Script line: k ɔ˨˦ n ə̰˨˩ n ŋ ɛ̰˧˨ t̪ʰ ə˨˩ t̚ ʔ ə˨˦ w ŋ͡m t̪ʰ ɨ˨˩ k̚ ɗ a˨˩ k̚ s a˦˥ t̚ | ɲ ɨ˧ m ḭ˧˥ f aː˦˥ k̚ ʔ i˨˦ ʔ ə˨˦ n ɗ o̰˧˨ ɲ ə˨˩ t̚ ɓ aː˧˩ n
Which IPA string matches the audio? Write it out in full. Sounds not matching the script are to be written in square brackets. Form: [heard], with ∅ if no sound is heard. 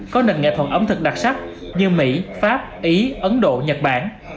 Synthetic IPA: k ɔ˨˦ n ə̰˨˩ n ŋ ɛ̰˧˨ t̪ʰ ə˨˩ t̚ ʔ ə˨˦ w ŋ͡m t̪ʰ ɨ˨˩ k̚ ɗ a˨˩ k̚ s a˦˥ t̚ | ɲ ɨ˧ m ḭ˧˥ f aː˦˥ [p̚] ʔ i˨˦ ʔ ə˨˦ n ɗ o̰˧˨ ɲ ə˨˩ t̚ ɓ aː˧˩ n